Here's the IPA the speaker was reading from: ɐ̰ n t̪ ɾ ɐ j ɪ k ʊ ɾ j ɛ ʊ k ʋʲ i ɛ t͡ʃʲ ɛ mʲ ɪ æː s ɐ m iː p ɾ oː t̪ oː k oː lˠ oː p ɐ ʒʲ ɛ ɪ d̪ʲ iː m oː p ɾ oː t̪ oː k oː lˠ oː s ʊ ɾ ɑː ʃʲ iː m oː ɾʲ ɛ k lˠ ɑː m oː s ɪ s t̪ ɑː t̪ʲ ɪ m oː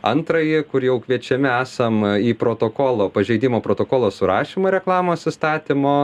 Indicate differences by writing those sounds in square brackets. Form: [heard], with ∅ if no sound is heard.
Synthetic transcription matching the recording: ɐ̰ n t̪ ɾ ɐ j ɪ k ʊ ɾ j ɛ ʊ k ʋʲ i ɛ t͡ʃʲ ɛ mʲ ɪ æː s ɐ m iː p ɾ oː t̪ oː k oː lˠ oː p ɐ ʒʲ ɛ ɪ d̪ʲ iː m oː p ɾ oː t̪ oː k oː lˠ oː s ʊ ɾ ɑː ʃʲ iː m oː ɾʲ ɛ k lˠ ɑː m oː s ɪ s t̪ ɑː t̪ʲ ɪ m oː